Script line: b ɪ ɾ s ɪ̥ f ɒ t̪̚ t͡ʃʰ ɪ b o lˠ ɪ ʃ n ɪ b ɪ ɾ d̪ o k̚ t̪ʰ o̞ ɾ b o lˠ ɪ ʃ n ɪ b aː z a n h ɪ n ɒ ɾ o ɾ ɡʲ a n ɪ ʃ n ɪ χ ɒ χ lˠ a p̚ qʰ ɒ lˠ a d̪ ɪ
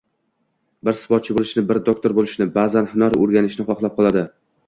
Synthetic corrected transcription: b ɪ ɾ s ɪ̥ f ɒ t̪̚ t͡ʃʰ ɪ b o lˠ ɪ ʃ n ɪ b ɪ ɾ d̪ o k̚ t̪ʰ o̞ ɾ b o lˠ ɪ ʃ n ɪ b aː z a n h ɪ n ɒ ɾ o ɾ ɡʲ a n ɪ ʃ n ɪ χ ɒ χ lˠ a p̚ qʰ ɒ lˠ a d̪ ɪ